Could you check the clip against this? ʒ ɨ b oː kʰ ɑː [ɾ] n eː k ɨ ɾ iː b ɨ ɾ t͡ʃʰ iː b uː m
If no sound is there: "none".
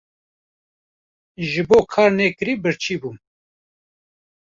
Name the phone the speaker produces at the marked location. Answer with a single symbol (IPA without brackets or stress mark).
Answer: ɾ